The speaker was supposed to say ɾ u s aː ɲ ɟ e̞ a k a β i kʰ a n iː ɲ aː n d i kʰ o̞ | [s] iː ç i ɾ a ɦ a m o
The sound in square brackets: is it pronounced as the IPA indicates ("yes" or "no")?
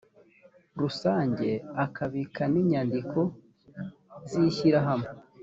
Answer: no